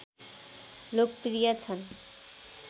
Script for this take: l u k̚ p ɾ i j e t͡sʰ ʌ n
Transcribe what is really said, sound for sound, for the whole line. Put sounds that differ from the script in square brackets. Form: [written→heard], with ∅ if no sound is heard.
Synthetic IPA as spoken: l [u→o] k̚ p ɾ i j [e→a] t͡sʰ ʌ n